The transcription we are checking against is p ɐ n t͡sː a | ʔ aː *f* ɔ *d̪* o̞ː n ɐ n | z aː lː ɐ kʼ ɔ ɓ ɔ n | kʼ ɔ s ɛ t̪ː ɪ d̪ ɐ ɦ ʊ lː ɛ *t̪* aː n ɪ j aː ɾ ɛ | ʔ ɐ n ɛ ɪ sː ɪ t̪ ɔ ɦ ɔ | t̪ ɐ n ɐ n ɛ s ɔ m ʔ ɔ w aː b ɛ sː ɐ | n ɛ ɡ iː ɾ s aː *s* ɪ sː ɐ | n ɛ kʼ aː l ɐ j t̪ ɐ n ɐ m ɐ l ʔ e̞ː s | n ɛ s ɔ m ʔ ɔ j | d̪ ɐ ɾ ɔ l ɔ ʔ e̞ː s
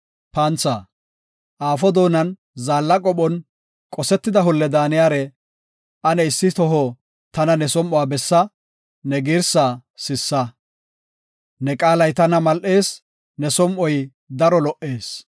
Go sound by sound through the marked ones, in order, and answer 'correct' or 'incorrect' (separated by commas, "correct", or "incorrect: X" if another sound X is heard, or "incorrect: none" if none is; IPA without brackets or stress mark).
correct, correct, incorrect: d̪, correct